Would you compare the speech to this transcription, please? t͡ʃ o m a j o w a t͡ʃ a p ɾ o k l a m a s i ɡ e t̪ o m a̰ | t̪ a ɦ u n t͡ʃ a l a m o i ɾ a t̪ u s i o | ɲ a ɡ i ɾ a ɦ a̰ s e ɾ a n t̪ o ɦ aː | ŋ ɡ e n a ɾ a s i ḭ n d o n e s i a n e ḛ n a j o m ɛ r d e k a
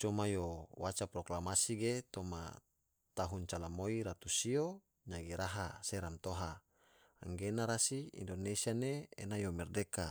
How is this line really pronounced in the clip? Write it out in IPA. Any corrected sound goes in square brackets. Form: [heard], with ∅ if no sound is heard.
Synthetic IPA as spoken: t͡ʃ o m a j o w a t͡ʃ a p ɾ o k l a m a s i ɡ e t̪ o m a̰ | t̪ a ɦ u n t͡ʃ a l a m o i ɾ a t̪ u s i o | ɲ a ɡ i ɾ a ɦ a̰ s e ɾ a n t̪ o ɦ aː | ŋ ɡ e n a ɾ a s i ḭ n d o n e s i a n e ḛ n a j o m ɛ r d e k a